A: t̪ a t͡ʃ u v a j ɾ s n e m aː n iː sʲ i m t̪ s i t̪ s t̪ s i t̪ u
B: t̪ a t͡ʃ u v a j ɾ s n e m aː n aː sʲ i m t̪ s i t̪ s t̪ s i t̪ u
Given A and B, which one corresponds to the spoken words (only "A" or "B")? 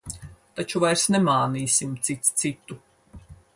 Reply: A